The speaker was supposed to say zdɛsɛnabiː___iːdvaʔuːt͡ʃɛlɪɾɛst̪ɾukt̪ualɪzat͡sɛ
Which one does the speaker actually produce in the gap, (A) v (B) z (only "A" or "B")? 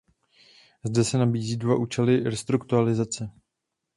B